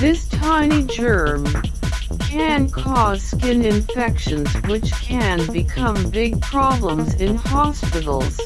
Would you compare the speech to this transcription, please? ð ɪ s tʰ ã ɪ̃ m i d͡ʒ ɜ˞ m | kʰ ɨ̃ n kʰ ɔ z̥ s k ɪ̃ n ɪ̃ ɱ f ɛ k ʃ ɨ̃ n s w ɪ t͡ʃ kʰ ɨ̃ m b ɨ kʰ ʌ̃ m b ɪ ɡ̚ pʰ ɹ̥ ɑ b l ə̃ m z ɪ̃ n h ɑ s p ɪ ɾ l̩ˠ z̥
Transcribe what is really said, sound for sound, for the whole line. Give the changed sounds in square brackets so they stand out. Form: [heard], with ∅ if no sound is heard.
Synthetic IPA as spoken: ð ɪ s tʰ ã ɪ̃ [n] i d͡ʒ ɜ˞ m | kʰ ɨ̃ n kʰ ɔ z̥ s k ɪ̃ n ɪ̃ ɱ f ɛ k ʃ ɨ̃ n [z] w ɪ t͡ʃ kʰ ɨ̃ [n] b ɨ kʰ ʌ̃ m b ɪ ɡ̚ pʰ ɹ̥ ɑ b l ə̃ m z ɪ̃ n h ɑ s p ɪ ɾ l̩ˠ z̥